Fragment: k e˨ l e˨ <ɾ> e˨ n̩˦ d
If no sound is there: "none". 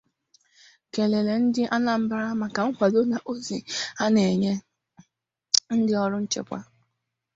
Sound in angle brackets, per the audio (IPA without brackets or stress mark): l